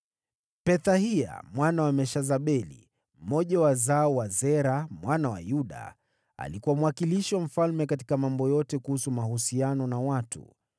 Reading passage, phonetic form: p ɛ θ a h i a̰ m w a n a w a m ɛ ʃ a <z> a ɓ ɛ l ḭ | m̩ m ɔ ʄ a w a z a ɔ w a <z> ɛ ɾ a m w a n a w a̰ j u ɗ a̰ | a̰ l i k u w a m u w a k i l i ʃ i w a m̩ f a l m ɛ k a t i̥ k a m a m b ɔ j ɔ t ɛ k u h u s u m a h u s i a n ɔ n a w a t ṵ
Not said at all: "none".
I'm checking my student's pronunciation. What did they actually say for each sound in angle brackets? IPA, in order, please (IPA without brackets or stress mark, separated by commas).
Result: z, z